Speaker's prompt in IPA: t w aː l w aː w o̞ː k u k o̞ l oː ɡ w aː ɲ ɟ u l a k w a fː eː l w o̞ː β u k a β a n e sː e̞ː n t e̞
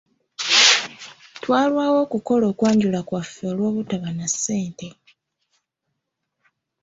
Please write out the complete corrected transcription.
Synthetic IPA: t w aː l w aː w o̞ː k u k o̞ l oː k w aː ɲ ɟ u l a k w a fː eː l w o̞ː β u t a β a n a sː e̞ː n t e̞